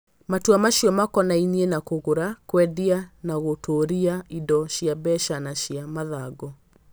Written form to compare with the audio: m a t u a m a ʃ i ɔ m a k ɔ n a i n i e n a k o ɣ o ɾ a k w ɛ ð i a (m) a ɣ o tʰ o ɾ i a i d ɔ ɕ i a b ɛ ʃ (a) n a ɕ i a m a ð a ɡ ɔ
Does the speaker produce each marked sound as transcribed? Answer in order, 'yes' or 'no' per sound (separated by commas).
no, yes